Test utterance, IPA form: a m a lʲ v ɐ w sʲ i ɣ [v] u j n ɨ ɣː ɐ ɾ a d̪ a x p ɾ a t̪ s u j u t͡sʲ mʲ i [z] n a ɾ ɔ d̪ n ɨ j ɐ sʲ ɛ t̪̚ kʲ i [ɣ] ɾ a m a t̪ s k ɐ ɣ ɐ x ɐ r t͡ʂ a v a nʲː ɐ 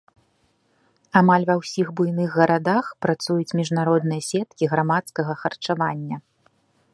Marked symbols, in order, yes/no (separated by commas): no, no, yes